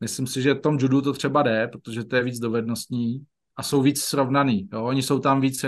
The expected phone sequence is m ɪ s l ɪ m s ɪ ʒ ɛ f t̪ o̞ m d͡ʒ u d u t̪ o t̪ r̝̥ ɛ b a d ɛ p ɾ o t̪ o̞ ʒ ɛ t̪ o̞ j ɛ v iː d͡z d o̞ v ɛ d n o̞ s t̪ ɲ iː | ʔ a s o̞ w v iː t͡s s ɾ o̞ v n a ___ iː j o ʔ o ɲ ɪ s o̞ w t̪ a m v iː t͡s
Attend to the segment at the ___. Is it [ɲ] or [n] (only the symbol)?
n